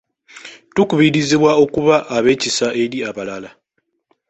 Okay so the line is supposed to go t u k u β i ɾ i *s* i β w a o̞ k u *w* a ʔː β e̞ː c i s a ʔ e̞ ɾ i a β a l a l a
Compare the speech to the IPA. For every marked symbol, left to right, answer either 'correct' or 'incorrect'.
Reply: incorrect, incorrect

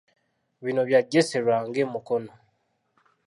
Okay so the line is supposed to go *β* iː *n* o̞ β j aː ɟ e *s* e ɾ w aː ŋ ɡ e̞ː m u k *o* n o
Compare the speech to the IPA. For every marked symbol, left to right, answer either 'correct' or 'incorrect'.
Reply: correct, correct, correct, correct

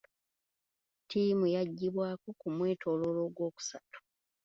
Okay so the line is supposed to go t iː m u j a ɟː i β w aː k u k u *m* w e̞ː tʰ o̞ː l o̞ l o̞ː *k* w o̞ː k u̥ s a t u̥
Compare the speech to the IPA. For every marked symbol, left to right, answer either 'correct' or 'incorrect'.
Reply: correct, incorrect

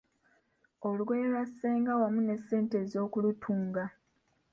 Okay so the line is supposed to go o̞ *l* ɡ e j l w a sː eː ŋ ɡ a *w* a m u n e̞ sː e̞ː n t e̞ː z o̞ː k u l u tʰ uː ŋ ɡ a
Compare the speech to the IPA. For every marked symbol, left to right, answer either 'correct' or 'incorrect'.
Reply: correct, correct

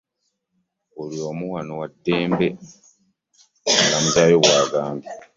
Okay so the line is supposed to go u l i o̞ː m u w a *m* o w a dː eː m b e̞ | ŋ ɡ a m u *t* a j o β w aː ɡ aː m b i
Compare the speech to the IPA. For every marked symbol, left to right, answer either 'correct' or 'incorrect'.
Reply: incorrect, correct

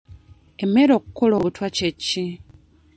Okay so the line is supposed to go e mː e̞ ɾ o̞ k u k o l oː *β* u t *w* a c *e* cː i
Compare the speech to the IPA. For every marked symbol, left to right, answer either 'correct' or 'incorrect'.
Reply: correct, correct, correct

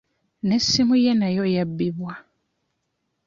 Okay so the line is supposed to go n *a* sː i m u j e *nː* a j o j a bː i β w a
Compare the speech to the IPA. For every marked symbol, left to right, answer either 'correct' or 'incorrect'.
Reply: incorrect, incorrect

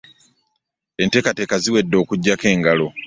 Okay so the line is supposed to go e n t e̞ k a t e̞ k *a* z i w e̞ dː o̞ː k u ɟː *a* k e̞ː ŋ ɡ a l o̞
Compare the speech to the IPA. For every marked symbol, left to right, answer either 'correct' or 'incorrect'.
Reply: correct, correct

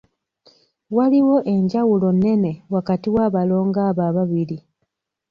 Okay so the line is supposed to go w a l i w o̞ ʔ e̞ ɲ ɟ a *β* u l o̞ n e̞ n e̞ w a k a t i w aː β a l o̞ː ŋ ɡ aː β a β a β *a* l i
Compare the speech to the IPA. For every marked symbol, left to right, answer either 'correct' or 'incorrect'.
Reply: incorrect, incorrect

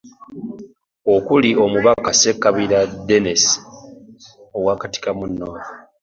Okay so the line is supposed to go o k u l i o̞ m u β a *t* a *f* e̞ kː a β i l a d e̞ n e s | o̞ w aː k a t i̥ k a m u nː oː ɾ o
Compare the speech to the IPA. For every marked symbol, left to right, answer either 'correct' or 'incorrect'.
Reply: incorrect, incorrect

